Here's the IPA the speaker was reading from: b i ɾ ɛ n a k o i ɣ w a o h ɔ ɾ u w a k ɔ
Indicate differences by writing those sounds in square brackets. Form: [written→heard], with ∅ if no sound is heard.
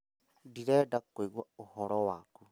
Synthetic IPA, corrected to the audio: [b→d] i ɾ ɛ [n→d] a k o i ɣ w a o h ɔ ɾ [u→ɔ] w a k [ɔ→u]